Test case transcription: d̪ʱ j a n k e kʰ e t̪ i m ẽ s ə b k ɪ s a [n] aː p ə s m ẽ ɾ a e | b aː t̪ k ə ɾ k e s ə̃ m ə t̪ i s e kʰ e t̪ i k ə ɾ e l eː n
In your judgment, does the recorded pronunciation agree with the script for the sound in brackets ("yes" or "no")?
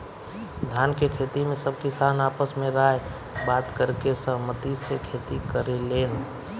yes